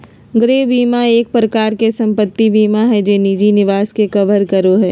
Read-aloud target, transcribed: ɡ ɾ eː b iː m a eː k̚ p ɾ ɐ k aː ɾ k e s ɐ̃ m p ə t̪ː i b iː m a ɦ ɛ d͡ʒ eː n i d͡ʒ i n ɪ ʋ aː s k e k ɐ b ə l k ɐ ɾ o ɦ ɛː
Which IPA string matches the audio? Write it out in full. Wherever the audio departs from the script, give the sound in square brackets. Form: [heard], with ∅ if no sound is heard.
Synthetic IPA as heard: ɡ ɾ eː b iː m a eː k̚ p ɾ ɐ k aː ɾ k e s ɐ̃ m p ə t̪ː i b iː m a ɦ ɛ d͡ʒ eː n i d͡ʒ i n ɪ ʋ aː s k e k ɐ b ə [ɾ] k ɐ ɾ o ɦ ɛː